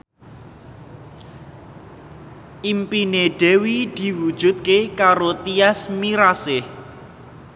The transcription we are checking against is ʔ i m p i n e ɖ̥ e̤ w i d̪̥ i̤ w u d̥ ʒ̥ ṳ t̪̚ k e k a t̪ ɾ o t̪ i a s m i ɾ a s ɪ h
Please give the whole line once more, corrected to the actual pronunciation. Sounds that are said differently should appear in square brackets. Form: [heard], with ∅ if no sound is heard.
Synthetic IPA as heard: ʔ i m p i n e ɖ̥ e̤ w i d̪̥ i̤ w u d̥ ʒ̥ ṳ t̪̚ k e k a [∅] ɾ o t̪ i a s m i ɾ a s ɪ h